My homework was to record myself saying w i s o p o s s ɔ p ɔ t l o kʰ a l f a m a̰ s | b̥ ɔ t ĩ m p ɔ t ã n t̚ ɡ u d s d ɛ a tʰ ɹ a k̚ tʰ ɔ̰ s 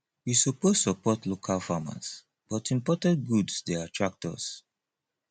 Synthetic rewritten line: w i s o p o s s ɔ p ɔ t l o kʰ a l f a m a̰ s | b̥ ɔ t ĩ m p ɔ t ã n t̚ ɡ u d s d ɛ a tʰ ɹ a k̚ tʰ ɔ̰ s